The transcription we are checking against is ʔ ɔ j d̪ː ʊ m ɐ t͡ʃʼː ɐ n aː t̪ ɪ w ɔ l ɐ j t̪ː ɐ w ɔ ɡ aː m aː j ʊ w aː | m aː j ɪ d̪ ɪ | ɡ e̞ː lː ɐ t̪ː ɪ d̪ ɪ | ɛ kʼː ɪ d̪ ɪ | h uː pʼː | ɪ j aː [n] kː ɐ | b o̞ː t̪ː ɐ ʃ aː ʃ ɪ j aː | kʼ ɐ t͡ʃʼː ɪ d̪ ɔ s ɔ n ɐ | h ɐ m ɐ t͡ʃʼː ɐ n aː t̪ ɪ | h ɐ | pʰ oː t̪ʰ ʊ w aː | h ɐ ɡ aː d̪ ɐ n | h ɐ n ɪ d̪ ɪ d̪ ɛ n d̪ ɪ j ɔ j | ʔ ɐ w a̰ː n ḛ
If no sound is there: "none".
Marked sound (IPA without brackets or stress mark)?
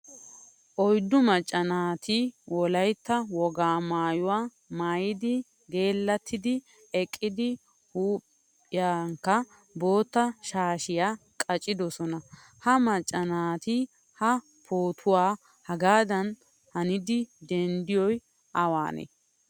ŋ